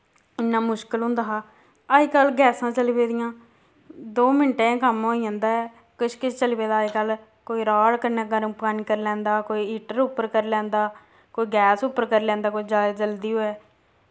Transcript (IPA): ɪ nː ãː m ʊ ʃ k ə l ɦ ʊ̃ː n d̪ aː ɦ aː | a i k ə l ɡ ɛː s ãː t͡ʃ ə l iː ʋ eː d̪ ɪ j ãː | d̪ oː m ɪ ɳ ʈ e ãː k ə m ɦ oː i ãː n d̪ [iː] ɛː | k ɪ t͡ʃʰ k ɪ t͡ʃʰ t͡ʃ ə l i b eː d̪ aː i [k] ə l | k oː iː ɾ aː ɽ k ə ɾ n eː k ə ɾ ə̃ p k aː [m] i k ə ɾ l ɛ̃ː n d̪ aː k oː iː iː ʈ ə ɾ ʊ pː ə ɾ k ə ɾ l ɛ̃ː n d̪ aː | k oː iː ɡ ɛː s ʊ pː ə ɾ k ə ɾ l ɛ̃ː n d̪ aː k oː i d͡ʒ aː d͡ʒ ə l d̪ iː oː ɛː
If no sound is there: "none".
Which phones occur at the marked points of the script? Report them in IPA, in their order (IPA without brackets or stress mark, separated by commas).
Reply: aː, k, n